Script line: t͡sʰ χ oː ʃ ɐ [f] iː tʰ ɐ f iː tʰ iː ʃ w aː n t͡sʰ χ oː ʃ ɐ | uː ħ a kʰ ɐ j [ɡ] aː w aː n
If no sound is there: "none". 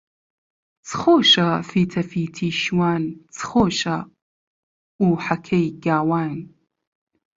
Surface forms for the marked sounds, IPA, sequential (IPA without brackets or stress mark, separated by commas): f, ɡ